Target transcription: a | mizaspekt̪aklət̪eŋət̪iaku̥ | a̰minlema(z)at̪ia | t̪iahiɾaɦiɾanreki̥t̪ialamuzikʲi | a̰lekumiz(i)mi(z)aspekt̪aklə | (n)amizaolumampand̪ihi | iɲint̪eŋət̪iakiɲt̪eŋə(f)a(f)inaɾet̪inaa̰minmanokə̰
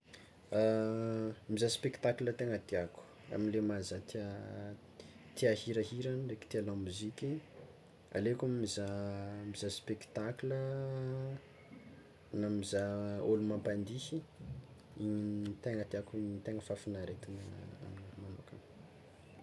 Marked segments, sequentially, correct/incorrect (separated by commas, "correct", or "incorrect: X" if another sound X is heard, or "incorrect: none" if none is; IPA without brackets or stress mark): correct, incorrect: a, correct, correct, correct, correct